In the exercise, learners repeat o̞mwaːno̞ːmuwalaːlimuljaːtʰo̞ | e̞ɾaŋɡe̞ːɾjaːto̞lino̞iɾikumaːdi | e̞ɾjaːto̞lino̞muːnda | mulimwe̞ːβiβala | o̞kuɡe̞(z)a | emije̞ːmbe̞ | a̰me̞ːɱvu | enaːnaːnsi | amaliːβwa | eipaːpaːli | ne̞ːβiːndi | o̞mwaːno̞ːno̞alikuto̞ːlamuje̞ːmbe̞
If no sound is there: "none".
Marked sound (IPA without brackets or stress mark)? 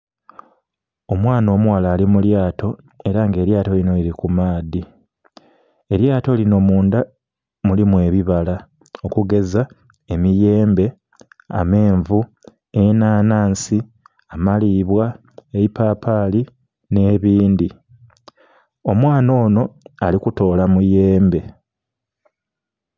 z